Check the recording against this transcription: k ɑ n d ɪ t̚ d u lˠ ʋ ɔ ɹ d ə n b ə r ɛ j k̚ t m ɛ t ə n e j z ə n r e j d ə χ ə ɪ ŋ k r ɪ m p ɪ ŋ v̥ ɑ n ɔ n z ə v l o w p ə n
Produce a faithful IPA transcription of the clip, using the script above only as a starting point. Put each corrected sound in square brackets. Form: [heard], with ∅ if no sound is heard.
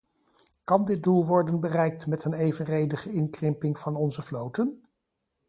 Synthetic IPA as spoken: k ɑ n d ɪ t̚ d u lˠ ʋ ɔ ɹ d ə n b ə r ɛ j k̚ t m ɛ t ə n e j [v] ə n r e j d ə χ ə ɪ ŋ k r ɪ m p ɪ ŋ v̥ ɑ n ɔ n z ə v l o w [t] ə n